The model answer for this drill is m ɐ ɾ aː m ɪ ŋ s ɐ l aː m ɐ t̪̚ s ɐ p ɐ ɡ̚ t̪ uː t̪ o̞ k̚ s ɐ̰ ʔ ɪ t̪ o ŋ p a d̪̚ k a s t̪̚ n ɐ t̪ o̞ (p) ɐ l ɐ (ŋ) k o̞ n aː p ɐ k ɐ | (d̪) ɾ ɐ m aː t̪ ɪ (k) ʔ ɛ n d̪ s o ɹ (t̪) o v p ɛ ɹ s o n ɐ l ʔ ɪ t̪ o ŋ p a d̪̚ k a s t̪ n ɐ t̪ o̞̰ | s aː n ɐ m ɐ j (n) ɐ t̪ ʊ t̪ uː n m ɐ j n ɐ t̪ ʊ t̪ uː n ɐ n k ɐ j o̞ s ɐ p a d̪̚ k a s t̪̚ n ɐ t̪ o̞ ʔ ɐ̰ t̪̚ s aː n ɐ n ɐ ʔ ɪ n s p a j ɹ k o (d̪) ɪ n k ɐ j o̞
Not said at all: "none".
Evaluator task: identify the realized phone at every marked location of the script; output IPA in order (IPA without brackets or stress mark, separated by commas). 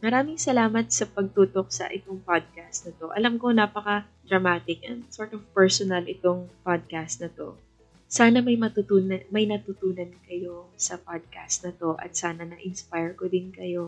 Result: ʔ, m, d̪, k, t̪, m, d̪